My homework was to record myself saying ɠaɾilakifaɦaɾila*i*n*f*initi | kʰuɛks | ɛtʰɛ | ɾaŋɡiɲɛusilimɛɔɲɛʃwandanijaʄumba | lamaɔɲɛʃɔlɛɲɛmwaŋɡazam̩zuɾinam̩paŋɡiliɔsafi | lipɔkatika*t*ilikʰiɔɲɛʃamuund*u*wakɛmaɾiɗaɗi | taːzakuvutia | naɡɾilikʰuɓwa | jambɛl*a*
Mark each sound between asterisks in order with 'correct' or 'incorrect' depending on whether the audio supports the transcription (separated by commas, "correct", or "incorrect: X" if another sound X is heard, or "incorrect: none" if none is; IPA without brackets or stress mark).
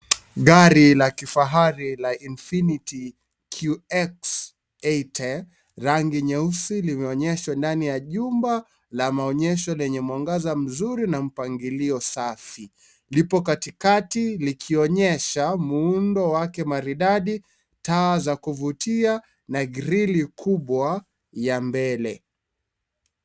correct, correct, correct, incorrect: ɔ, incorrect: ɛ